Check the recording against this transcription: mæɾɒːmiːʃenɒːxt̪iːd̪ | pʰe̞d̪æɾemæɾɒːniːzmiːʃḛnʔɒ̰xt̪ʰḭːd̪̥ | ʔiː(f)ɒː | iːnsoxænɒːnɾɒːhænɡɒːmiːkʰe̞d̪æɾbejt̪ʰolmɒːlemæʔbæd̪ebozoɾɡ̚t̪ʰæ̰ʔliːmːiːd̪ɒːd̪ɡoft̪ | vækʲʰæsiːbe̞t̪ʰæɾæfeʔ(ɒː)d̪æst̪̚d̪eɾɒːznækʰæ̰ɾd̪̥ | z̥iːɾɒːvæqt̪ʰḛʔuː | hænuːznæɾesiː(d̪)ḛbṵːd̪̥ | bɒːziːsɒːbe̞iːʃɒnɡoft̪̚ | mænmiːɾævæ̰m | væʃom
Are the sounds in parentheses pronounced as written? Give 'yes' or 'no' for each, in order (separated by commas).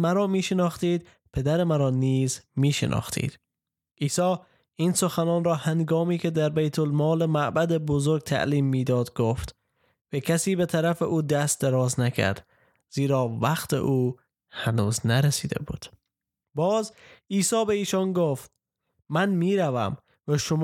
no, no, yes